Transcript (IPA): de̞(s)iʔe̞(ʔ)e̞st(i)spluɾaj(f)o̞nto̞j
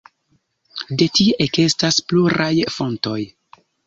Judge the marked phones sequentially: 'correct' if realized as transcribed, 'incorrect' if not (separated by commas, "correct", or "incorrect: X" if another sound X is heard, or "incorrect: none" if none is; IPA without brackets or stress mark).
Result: incorrect: t, incorrect: k, incorrect: a, correct